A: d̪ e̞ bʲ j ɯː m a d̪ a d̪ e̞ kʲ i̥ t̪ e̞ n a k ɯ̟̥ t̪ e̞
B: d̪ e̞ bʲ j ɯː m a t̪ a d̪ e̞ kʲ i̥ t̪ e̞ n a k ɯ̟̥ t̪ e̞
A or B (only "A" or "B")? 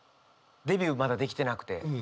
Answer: A